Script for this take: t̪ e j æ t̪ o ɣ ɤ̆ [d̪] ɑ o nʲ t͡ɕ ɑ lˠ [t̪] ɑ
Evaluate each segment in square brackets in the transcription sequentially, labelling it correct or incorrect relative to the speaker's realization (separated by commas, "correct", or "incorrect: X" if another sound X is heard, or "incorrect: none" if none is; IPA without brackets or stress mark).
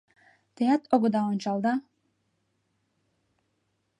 correct, incorrect: d̪